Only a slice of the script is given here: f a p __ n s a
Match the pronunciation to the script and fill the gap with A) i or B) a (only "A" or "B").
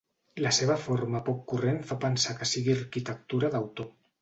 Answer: B